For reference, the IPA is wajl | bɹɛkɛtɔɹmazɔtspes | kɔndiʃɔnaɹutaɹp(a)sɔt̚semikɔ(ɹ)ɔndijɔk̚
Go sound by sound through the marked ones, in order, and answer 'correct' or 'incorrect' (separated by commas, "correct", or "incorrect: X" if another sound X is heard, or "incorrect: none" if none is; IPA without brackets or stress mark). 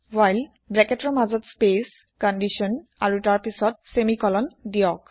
incorrect: i, incorrect: l